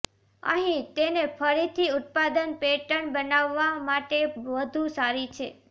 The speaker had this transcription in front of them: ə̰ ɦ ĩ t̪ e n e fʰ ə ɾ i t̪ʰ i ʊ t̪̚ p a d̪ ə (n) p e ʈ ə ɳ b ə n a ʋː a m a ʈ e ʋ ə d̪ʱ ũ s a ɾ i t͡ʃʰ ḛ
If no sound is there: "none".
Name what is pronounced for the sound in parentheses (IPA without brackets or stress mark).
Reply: n